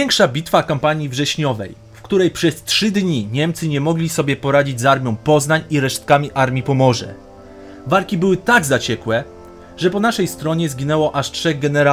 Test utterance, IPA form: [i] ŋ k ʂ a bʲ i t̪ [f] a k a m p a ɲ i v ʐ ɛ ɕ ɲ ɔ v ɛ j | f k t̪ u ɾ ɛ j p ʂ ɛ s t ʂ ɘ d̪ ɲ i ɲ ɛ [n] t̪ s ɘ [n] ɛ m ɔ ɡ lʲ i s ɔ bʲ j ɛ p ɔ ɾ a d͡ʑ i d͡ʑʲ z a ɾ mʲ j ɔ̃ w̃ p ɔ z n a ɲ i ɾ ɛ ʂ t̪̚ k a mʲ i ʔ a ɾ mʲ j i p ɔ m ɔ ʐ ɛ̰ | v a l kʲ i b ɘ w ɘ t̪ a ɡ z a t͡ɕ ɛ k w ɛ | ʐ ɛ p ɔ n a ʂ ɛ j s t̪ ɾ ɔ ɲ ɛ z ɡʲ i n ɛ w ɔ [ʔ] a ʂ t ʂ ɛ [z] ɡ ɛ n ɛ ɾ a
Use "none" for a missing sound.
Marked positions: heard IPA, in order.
ɛ, f, m, ɲ, ʔ, ɣ

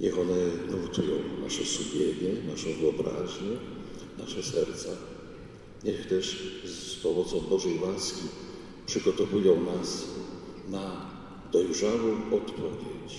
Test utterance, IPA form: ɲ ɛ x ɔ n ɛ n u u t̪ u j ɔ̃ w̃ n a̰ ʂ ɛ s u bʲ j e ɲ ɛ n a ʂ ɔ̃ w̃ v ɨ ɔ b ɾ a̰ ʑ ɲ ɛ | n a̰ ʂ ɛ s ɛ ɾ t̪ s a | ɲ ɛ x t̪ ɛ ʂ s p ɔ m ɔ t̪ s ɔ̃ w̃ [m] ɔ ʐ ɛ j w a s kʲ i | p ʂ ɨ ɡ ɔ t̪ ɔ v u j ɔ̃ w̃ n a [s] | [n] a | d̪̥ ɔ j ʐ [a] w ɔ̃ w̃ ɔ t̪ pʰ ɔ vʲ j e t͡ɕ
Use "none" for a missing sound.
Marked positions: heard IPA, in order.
b, s, n, a

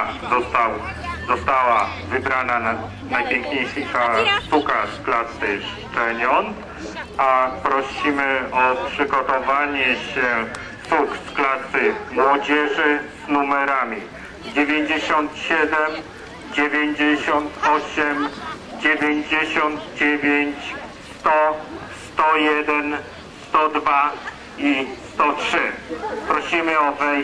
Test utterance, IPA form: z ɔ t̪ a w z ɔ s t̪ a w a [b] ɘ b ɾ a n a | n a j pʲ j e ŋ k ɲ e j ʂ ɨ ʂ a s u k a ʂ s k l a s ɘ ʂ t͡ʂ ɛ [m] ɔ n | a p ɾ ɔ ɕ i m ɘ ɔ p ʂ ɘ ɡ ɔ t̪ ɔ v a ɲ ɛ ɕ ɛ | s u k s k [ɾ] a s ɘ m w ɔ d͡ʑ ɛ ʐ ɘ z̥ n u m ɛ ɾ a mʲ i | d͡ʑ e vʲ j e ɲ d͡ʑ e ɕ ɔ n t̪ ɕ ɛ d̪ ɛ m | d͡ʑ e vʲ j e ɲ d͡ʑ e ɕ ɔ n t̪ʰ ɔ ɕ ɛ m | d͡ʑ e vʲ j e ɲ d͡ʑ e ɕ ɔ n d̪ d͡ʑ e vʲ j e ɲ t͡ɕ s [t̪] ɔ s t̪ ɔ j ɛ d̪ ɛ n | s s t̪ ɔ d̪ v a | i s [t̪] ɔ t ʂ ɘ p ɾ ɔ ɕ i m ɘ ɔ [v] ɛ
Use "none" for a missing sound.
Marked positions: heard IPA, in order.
v, ɲ, l, t̪, t̪, v

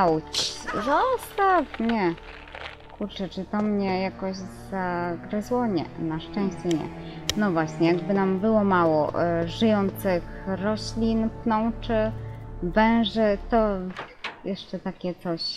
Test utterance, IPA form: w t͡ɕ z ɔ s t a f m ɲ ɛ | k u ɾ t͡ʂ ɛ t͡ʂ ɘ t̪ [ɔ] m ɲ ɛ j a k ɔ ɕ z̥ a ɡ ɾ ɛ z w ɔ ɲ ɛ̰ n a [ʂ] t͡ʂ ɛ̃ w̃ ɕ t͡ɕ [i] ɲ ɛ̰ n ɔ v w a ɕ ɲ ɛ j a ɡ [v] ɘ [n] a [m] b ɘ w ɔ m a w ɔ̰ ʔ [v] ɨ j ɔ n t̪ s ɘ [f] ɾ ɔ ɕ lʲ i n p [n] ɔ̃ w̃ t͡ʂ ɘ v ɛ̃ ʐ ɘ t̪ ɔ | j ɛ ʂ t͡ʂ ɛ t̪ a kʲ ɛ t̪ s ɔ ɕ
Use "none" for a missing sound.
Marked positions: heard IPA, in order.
ɔ, ʂ, ɛ, b, n, m, ʐ, x, n

